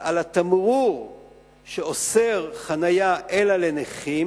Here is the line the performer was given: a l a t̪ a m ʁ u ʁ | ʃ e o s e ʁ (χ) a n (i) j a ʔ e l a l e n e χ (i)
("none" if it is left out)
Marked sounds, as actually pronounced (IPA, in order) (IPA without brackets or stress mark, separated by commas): χ, a, i